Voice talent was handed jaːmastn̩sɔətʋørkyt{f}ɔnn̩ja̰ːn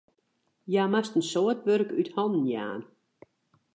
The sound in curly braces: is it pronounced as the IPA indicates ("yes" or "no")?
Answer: no